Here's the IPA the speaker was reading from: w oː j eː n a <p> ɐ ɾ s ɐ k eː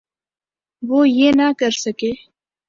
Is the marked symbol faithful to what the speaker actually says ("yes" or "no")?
no